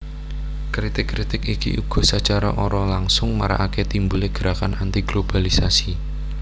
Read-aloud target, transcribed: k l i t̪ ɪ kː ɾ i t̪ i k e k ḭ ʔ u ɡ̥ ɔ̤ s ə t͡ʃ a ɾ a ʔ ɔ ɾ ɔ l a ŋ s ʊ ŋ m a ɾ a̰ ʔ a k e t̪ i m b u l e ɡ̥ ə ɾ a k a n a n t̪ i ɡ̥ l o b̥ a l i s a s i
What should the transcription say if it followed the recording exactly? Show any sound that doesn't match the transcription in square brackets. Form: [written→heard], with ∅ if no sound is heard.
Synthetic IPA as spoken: k [l→ɾ] i t̪ ɪ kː ɾ i t̪ [i→ɪ] k [e→i] k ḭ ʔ u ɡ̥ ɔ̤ s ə t͡ʃ a ɾ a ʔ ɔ ɾ ɔ l a ŋ s ʊ ŋ m a ɾ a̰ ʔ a k e t̪ i m b u l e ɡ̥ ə ɾ a k a n a n t̪ i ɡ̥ l o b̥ a l i s a s i